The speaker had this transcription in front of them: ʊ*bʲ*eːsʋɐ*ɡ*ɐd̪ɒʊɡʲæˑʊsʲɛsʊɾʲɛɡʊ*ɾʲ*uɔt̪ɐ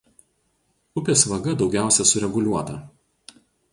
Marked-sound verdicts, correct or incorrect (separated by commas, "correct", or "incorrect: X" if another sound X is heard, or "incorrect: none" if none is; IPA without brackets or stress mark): incorrect: pʲ, correct, incorrect: lʲ